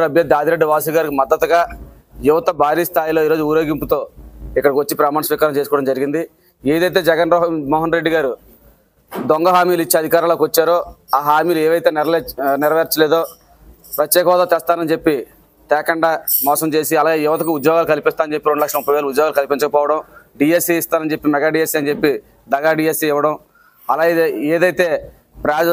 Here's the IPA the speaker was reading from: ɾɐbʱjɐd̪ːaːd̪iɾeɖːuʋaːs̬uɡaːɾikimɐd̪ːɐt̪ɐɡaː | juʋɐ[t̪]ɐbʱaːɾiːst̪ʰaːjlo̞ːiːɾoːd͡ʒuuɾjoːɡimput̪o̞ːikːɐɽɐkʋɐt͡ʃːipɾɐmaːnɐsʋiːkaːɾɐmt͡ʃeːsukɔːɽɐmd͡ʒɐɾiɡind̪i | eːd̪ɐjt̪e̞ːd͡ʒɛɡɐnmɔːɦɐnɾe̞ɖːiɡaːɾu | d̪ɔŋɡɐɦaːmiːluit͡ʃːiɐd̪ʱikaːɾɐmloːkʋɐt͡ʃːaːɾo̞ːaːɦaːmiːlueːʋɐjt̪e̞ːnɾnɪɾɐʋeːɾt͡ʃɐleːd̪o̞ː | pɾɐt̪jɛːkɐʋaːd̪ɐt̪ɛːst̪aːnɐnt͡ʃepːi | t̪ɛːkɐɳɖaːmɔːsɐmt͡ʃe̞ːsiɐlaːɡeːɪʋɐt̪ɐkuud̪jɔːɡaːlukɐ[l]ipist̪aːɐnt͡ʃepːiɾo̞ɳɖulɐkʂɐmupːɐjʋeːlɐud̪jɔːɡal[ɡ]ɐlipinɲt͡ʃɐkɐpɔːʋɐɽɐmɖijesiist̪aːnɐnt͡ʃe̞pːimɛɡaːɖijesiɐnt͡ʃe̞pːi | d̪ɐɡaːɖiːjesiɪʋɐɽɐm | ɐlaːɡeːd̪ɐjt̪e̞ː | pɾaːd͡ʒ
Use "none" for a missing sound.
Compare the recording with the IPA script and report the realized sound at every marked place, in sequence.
t̪, l, k

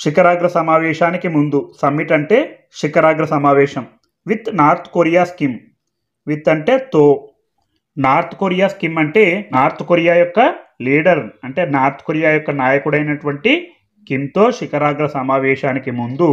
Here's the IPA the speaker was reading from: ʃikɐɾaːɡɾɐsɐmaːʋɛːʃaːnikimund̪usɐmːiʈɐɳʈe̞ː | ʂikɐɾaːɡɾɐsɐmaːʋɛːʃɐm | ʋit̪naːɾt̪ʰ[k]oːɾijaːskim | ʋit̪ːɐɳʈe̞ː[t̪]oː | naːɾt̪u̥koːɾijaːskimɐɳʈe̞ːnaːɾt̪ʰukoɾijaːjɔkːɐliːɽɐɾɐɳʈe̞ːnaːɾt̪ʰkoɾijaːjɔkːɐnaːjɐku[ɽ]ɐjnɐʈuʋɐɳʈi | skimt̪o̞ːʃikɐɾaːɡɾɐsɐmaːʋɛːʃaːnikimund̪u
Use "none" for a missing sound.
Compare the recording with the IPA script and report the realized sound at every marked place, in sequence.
k, t̪, ɽ

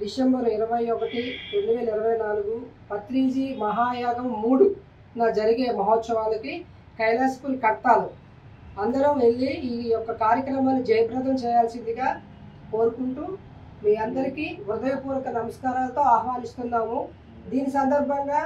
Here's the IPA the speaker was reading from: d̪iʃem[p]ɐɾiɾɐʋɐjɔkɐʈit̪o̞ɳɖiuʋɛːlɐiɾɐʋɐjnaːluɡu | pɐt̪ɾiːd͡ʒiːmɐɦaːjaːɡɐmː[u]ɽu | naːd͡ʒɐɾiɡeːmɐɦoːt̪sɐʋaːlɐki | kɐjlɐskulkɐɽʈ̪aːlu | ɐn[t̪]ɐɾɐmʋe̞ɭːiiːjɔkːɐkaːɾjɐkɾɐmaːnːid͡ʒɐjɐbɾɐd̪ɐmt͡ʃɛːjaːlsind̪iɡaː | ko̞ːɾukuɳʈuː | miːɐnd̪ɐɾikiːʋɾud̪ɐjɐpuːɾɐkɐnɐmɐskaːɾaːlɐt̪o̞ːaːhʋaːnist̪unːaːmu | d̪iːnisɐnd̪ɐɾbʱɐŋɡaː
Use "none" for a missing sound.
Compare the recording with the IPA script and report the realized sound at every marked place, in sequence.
b, uː, d̪

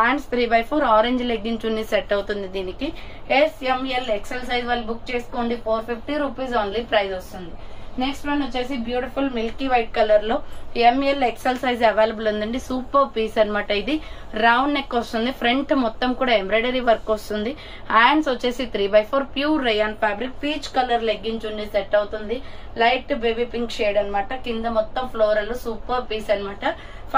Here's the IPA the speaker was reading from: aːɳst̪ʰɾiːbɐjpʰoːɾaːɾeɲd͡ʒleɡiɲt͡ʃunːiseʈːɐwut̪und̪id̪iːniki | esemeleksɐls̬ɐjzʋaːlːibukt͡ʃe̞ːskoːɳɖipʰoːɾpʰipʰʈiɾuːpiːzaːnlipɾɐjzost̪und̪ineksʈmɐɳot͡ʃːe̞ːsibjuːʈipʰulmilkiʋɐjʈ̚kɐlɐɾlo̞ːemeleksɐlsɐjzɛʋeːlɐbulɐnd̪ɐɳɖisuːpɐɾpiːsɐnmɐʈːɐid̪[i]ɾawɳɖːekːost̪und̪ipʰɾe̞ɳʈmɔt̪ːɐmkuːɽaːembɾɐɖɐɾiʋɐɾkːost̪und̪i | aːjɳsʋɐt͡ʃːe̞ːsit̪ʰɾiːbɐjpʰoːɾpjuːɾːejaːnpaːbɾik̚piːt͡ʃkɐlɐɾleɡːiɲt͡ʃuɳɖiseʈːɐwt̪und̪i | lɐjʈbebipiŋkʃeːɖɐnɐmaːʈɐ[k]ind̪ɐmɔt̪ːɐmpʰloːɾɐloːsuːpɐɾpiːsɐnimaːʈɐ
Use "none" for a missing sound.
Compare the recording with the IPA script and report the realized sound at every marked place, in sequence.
i, k

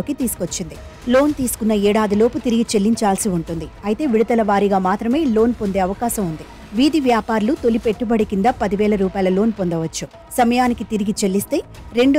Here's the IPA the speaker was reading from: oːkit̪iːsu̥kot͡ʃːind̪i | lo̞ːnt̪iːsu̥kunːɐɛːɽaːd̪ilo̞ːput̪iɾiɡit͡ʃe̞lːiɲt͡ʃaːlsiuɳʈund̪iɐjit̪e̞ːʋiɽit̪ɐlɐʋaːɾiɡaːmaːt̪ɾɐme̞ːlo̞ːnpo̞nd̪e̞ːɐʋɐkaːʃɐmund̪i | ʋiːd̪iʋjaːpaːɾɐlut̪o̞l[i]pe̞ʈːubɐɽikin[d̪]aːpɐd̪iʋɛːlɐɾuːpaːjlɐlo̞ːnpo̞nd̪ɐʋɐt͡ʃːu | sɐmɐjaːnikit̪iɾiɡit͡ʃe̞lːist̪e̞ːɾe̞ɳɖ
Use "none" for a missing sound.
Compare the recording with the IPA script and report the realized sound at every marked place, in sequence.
i, d̪

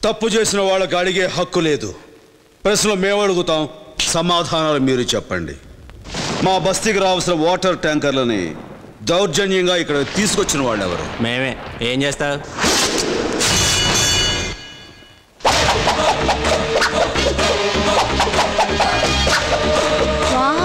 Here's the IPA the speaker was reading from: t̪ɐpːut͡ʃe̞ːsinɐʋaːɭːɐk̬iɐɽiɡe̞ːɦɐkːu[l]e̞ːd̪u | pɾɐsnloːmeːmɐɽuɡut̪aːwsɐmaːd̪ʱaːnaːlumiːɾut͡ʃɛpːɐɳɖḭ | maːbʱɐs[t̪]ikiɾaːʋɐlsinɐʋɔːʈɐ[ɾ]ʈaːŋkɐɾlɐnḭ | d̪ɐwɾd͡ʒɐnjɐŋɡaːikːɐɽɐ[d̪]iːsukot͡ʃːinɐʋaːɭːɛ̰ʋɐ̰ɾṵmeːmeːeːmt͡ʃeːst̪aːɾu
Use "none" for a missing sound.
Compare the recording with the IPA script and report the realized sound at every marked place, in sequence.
l, t̪, ɾ, t̪

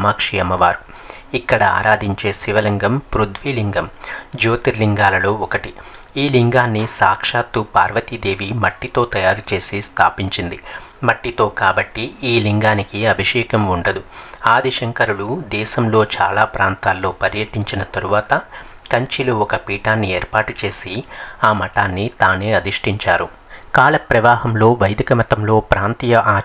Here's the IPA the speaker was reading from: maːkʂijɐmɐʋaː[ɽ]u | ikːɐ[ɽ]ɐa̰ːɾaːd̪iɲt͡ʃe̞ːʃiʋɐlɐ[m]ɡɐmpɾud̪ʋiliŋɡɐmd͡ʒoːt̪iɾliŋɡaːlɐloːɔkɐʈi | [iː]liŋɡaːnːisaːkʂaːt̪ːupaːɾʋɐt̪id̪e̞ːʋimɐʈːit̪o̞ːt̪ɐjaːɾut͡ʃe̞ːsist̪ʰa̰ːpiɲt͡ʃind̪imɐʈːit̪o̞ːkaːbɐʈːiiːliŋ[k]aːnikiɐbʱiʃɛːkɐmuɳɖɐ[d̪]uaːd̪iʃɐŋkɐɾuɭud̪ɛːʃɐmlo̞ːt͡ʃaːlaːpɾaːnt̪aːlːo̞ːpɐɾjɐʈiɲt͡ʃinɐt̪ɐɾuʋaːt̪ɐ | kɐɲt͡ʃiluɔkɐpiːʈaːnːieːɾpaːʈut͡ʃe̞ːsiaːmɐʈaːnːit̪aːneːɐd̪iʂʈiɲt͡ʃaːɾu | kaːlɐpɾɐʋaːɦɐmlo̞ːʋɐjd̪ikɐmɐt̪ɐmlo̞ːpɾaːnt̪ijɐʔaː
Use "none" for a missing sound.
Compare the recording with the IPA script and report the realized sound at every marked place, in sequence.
ɾ, ɽ, ŋ, iː, ɡ, d̪

